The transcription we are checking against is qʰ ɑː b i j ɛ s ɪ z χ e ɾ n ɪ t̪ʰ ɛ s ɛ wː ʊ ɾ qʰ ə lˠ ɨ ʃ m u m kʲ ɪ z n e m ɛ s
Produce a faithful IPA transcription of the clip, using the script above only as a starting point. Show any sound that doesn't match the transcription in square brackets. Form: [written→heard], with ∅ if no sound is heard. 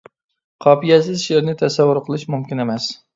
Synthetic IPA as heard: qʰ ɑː [b→p] i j ɛ s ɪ z [χ→ʃ] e ɾ n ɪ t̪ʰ ɛ s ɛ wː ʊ ɾ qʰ ə lˠ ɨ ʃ m u m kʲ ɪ [z→∅] n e m ɛ s